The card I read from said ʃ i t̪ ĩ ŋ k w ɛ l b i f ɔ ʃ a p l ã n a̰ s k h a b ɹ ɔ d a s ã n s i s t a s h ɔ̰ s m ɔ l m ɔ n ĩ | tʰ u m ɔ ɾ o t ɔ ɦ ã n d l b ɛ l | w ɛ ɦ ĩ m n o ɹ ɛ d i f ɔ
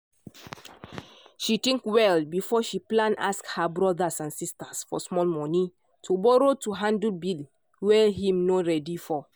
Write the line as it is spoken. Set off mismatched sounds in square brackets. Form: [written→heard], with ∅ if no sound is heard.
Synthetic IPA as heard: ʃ i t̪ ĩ ŋ k w ɛ l b i f ɔ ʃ [a→i] p l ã n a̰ s k h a b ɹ ɔ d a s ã n s i s t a s [h→f] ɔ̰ s m ɔ l m ɔ n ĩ | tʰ u [m→b] ɔ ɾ o t [ɔ→u] ɦ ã n d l b [ɛ→i] l | w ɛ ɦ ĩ m n o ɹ ɛ d i f ɔ